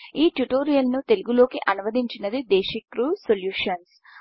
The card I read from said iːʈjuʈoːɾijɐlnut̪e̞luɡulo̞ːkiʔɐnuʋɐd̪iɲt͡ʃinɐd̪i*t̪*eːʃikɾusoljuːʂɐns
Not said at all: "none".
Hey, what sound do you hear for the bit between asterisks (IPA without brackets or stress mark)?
d̪